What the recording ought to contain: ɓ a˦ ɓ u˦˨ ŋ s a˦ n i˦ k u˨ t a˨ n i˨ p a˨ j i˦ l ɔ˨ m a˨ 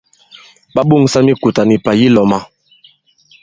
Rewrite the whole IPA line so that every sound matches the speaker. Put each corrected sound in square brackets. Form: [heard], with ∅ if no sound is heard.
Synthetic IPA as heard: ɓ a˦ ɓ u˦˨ ŋ s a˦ [m] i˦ k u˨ t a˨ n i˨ p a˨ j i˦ l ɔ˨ m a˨